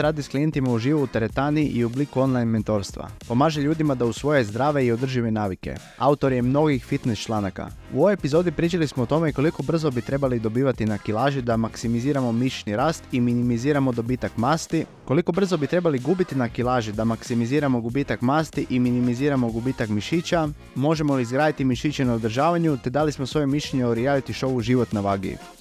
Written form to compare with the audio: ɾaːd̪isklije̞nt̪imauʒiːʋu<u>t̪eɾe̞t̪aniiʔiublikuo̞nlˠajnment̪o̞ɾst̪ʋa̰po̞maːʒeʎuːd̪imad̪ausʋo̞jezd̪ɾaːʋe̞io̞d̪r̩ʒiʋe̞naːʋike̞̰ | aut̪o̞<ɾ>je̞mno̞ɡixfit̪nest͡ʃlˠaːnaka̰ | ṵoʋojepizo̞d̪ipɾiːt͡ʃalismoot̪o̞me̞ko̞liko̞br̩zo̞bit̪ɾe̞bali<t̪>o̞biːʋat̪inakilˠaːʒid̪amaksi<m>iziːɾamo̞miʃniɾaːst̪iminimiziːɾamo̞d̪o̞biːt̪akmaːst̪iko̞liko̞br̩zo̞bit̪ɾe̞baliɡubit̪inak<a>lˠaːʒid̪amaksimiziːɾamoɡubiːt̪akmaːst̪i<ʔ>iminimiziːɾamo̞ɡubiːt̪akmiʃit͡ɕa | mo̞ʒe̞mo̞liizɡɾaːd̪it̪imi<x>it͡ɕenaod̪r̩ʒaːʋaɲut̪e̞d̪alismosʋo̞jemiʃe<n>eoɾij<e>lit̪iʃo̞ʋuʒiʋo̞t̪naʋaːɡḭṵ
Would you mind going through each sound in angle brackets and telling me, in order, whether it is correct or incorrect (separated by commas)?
correct, correct, incorrect, correct, incorrect, correct, incorrect, incorrect, incorrect